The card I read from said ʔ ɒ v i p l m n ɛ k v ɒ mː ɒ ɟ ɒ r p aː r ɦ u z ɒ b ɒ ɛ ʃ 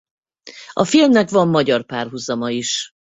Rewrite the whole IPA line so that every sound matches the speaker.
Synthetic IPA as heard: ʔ ɒ f i l m n ɛ k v ɒ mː ɒ ɟ ɒ r p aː r ɦ u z ɒ m ɒ i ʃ